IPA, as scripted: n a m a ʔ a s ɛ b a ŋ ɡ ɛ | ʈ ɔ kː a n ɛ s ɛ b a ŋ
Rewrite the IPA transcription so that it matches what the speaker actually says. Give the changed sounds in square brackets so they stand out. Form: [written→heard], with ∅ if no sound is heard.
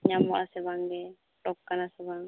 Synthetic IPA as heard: [n→ɲ] a m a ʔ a s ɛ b a ŋ ɡ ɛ | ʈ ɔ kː a n [ɛ→a] s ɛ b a ŋ

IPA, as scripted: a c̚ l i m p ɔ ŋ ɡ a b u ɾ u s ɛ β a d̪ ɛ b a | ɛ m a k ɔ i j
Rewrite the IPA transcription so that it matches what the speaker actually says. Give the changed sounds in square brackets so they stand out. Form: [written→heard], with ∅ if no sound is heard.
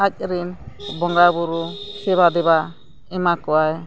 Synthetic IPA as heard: a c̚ [l→ɾ] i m [p→b] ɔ ŋ ɡ a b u ɾ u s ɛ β a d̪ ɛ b a | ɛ m a k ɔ [i→a] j

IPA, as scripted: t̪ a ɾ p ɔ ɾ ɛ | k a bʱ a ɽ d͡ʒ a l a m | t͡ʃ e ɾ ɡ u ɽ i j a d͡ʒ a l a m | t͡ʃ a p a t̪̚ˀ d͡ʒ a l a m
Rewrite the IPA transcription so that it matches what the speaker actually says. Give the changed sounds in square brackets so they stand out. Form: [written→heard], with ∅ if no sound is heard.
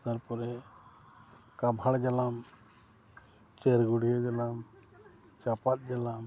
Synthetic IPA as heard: t̪ a ɾ p ɔ ɾ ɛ | k a bʱ a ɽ d͡ʒ a l a m | t͡ʃ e ɾ ɡ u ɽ i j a d͡ʒ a l a m | t͡ʃ a p a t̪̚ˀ d͡ʒ a l a m

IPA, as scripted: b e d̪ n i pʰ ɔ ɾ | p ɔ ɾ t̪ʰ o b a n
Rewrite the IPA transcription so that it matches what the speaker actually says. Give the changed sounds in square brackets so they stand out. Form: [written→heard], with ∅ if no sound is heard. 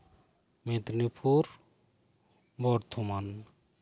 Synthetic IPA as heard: [b→m] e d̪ n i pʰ [ɔ→u] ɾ | [p→b] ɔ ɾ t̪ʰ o [b→m] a n

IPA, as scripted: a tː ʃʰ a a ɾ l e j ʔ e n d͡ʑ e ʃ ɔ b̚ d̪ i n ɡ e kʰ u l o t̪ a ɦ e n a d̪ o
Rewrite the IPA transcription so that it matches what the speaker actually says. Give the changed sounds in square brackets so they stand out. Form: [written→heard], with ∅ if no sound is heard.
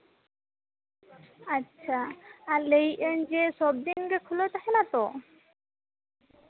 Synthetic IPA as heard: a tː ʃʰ a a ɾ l e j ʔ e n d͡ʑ e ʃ ɔ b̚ d̪ i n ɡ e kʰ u l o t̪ a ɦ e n a [d̪→t̪] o

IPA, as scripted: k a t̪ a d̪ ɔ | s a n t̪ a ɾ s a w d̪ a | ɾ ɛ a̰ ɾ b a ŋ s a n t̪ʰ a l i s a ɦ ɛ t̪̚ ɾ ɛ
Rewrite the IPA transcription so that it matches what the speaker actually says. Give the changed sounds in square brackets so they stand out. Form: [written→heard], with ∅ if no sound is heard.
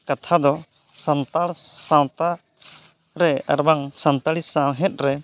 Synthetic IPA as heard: k a [t̪→t̪ʰ] a d̪ ɔ | s a n t̪ a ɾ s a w [d̪→t̪] a | ɾ ɛ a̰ ɾ b a ŋ s a n [t̪ʰ→t̪] a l i s a ɦ ɛ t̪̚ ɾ ɛ

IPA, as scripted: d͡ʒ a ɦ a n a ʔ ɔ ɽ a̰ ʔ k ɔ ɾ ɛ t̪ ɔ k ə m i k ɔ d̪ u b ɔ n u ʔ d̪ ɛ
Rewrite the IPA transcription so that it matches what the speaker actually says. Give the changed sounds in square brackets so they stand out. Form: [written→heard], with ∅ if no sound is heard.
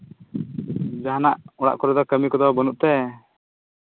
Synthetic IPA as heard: d͡ʒ a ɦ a n a ʔ ɔ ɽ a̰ ʔ k ɔ ɾ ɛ [t̪→d̪] ɔ k ə m i k ɔ d̪ [u→ɔ] b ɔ n u ʔ [d̪→t̪] ɛ

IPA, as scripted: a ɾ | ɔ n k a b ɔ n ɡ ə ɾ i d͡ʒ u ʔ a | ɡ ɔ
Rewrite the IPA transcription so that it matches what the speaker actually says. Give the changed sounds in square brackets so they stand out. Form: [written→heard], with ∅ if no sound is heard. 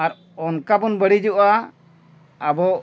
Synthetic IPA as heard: a ɾ | ɔ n k a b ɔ n [ɡ→b] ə [ɾ→ɽ] i d͡ʒ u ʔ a | [ɡ→b] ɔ

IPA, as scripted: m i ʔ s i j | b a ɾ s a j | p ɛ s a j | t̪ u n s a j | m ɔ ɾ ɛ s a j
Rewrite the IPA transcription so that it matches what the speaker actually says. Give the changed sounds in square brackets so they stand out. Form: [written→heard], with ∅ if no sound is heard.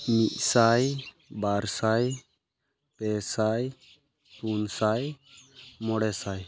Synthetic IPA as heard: m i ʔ s [i→a] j | b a ɾ s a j | p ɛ s a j | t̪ u n s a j | m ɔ [ɾ→ɽ] ɛ s a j

